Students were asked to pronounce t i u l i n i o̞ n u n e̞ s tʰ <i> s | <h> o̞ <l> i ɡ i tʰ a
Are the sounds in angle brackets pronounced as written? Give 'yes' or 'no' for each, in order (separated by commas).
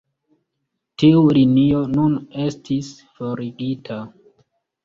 yes, no, no